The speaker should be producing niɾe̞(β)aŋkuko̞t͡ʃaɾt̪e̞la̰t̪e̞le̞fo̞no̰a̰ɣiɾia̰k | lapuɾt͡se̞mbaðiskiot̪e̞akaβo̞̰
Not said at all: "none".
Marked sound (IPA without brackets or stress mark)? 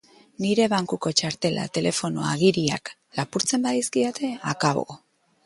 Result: β